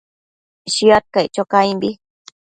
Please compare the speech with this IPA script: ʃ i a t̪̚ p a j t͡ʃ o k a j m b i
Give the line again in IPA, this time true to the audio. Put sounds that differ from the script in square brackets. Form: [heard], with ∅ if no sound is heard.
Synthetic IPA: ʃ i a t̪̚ [k] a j t͡ʃ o k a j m b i